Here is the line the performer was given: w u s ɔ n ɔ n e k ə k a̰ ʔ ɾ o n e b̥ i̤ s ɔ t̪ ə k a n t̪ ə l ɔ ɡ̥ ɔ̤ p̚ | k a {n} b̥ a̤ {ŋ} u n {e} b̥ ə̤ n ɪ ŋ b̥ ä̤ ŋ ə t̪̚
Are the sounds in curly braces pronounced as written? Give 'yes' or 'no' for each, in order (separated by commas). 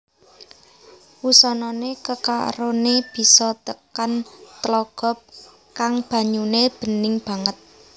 no, no, yes